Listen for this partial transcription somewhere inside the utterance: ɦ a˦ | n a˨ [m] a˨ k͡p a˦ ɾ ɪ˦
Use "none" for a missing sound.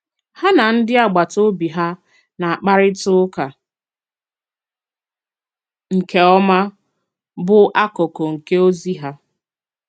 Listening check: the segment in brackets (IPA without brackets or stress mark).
none